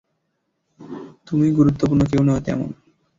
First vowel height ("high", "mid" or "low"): high